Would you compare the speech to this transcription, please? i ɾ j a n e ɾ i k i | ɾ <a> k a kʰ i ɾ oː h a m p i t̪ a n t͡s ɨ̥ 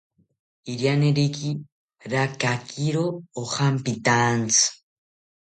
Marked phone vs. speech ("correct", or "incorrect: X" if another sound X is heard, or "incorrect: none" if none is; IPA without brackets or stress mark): correct